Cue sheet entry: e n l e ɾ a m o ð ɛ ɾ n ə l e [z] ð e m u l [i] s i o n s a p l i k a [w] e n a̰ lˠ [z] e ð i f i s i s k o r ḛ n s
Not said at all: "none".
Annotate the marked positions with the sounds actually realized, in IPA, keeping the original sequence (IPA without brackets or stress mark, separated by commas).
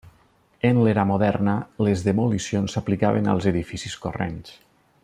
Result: z, i, β, z